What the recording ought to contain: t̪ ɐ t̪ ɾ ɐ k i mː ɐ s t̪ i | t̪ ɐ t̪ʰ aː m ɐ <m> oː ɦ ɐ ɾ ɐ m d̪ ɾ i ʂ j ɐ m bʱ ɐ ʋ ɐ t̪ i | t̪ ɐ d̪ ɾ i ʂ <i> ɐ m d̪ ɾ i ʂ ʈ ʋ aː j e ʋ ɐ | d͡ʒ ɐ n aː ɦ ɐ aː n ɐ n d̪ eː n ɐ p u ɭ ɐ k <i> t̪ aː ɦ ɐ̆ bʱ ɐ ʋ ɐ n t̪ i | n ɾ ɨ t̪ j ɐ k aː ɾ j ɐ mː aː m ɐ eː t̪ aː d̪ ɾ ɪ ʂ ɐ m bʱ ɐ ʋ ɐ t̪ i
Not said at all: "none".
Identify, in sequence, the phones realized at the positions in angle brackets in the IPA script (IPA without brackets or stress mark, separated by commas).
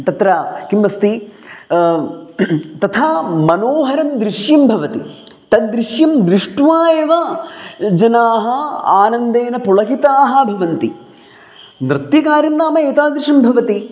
n, j, i